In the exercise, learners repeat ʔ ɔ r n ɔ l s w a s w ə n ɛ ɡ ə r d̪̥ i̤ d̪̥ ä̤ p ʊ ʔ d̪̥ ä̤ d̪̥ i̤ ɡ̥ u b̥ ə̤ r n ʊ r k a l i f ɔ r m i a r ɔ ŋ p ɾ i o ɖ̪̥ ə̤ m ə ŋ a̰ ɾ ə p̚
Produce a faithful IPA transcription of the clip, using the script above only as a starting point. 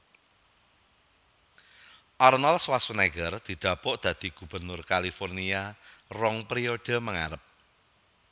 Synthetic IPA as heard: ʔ ɔ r n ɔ l s w a s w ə n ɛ ɡ ə r d̪̥ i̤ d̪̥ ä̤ p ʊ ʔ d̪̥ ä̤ d̪̥ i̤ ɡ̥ u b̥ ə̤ r n ʊ r k a l i f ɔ r n i a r ɔ ŋ p ɾ i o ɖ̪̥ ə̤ m ə ŋ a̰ ɾ ə p̚